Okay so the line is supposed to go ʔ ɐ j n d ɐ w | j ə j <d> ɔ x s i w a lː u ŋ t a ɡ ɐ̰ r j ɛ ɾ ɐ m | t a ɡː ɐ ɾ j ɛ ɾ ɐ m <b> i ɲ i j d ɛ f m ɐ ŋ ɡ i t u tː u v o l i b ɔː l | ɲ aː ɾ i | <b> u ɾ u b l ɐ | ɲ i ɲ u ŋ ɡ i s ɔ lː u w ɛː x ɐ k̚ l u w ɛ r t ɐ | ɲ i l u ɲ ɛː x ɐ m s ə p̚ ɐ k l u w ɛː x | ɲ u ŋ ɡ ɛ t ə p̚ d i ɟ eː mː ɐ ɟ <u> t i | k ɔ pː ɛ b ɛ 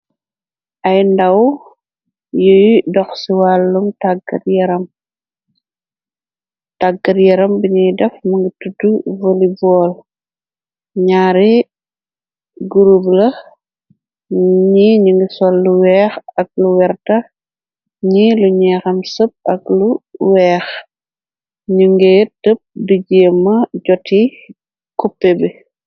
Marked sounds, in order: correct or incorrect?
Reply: correct, correct, incorrect, incorrect

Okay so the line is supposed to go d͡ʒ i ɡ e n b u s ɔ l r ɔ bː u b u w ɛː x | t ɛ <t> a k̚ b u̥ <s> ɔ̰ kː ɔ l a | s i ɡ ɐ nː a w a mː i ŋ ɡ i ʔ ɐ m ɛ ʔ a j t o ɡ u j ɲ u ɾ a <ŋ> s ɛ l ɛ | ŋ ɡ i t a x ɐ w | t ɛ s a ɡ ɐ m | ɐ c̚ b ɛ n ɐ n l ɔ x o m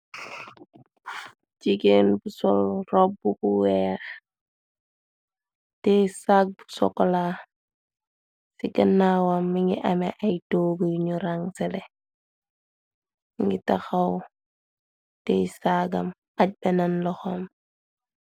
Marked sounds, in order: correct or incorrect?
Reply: incorrect, correct, correct

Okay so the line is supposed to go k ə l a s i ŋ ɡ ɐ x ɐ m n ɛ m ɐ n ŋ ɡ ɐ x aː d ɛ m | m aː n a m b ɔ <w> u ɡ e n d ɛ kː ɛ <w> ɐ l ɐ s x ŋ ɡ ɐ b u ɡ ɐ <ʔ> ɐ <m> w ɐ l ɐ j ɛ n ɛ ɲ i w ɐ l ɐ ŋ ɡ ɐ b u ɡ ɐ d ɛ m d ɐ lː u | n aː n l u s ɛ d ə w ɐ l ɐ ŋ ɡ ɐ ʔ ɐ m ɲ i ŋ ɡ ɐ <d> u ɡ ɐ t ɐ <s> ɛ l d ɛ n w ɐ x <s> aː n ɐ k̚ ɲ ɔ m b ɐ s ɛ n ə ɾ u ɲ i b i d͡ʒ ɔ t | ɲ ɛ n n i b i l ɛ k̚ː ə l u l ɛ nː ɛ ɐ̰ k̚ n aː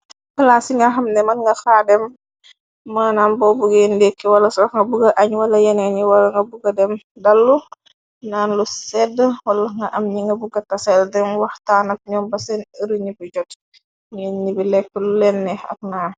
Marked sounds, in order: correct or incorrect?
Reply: incorrect, correct, correct, incorrect, incorrect, correct, incorrect

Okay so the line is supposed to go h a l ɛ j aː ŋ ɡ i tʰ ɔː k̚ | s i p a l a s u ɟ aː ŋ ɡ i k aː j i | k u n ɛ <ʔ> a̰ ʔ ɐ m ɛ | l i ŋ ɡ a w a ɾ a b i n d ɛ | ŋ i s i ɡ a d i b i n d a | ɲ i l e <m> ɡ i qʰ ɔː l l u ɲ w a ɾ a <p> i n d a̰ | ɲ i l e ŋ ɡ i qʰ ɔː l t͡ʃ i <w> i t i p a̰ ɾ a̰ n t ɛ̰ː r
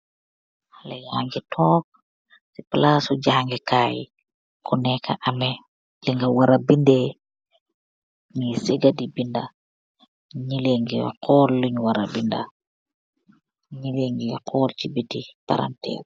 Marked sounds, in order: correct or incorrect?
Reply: incorrect, incorrect, incorrect, incorrect

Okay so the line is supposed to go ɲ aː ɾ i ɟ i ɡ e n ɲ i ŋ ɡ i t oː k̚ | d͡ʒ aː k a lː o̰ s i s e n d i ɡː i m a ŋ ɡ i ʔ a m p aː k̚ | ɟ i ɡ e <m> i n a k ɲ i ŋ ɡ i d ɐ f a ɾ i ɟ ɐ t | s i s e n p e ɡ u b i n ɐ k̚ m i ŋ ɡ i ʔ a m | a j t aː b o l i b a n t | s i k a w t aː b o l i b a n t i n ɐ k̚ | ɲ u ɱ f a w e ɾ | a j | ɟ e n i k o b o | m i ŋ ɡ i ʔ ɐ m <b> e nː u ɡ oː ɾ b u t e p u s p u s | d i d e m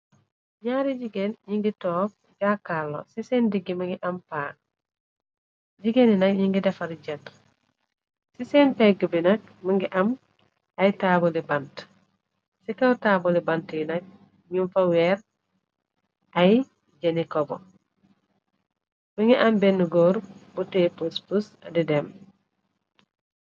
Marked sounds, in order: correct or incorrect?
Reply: incorrect, correct

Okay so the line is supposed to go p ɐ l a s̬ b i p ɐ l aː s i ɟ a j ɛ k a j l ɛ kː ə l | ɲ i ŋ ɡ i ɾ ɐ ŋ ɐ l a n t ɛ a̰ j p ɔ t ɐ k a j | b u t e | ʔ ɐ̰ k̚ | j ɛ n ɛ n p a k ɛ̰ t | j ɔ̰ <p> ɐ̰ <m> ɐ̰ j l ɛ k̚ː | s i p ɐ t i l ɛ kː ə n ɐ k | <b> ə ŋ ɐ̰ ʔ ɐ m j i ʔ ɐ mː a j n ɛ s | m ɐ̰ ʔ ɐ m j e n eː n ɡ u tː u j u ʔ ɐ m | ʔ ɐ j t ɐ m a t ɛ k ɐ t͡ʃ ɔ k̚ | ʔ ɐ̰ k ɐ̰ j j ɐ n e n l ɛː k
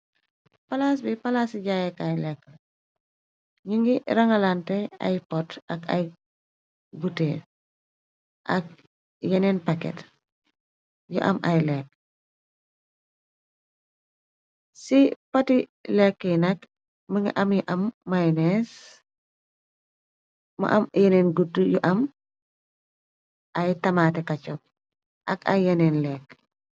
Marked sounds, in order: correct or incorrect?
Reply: incorrect, correct, incorrect

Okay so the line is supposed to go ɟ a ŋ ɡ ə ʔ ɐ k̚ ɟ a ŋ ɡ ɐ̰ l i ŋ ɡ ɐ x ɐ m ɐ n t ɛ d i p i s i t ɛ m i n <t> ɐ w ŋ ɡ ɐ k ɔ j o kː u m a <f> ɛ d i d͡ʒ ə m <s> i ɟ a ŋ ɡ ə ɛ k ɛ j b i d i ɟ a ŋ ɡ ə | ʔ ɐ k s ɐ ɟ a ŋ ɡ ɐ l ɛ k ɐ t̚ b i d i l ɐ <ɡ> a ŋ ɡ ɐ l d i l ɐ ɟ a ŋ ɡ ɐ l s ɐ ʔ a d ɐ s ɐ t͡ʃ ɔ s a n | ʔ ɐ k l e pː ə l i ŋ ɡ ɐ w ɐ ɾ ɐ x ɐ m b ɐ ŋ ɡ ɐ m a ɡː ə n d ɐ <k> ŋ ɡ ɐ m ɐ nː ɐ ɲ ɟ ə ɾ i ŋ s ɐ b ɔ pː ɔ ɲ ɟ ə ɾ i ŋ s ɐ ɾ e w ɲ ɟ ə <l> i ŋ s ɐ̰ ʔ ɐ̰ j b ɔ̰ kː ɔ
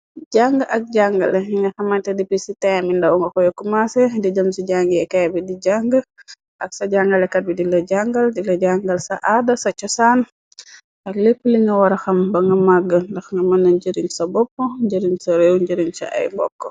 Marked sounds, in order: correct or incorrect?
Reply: incorrect, incorrect, correct, incorrect, incorrect, incorrect

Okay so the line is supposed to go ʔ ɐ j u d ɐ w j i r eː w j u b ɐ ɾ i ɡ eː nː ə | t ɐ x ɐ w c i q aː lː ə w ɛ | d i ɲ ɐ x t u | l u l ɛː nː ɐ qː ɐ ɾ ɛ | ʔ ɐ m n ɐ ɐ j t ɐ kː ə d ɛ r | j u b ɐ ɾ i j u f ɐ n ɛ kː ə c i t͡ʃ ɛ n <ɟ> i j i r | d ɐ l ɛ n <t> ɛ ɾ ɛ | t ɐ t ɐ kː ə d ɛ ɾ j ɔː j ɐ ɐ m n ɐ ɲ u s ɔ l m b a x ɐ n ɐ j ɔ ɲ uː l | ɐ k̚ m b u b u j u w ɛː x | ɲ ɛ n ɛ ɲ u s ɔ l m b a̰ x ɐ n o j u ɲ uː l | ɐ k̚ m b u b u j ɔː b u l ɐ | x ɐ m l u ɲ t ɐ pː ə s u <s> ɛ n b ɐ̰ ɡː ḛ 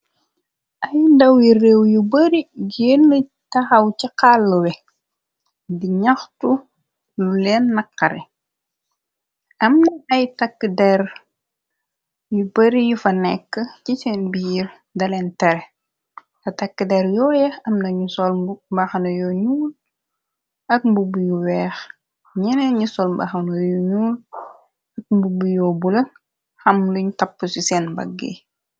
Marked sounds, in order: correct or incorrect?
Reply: incorrect, correct, correct

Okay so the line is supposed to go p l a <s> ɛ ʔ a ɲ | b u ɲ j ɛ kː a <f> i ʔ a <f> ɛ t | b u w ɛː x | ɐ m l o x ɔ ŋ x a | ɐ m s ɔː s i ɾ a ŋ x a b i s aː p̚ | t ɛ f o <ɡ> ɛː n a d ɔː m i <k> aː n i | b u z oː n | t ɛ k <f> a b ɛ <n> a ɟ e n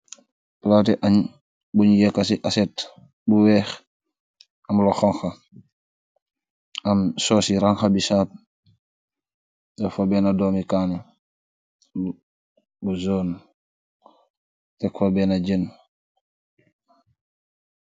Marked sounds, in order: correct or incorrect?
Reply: incorrect, incorrect, incorrect, incorrect, correct, correct, correct

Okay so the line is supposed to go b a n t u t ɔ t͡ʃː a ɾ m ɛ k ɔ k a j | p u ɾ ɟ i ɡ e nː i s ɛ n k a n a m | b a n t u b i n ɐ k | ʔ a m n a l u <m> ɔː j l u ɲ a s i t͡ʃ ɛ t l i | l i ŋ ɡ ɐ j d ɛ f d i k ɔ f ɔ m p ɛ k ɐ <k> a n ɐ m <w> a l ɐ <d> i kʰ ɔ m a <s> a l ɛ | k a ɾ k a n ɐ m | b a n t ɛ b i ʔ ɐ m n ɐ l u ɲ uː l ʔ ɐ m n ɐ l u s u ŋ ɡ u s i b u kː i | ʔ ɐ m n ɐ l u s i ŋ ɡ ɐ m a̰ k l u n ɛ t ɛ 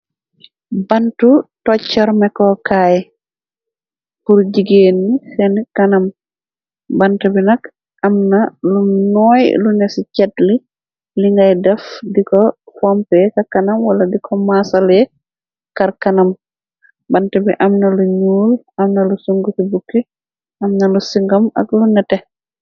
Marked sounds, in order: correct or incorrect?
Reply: incorrect, correct, correct, correct, correct

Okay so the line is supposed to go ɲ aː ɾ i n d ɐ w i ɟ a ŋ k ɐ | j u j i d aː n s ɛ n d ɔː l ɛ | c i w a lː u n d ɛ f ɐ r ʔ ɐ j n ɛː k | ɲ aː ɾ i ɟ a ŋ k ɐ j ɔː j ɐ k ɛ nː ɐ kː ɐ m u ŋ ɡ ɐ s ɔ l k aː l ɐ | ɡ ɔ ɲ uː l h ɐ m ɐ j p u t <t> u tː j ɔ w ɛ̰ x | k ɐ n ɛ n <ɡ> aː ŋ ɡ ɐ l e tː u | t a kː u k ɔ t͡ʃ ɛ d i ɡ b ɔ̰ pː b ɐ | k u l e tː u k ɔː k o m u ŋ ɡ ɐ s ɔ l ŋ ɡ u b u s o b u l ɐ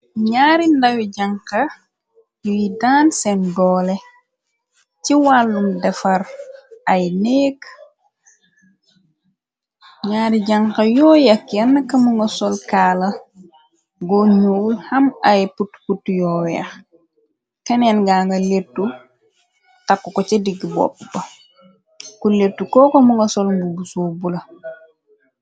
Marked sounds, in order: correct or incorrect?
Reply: incorrect, correct

